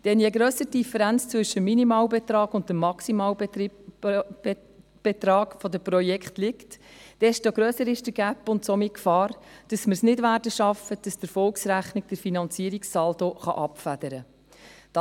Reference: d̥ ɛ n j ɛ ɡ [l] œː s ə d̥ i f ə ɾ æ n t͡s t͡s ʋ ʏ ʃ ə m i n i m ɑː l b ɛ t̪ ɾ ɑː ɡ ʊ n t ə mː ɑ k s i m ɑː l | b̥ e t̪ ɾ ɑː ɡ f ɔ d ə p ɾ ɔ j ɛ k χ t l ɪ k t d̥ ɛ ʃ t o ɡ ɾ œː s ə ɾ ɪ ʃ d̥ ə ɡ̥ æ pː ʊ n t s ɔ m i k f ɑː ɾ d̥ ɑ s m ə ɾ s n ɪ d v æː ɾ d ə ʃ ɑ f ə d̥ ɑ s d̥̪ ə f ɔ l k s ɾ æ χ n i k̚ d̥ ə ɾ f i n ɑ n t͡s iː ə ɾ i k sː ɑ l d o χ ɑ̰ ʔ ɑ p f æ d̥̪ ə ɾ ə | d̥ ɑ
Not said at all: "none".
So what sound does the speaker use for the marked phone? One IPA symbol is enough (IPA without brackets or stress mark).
ɾ